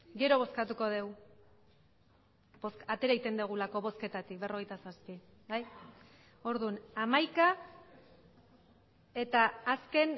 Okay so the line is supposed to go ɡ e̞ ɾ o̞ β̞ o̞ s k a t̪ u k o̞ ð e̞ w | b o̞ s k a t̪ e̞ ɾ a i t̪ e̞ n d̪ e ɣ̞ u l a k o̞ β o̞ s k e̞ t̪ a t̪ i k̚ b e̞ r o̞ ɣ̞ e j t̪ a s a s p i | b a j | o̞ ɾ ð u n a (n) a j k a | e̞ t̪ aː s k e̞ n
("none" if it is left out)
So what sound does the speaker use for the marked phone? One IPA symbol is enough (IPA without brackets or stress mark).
m